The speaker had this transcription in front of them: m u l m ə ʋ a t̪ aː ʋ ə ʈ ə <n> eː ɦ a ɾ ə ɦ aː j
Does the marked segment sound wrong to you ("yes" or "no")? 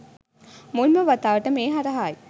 yes